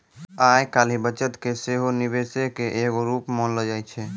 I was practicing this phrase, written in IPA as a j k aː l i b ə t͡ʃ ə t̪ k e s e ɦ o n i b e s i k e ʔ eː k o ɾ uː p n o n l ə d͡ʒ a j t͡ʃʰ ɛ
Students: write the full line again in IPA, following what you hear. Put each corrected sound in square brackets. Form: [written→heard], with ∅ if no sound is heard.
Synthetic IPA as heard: a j k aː l i b ə t͡ʃ ə t̪ k e s e ɦ o n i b e s [i→e] k e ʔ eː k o ɾ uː p [n→m] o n l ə d͡ʒ a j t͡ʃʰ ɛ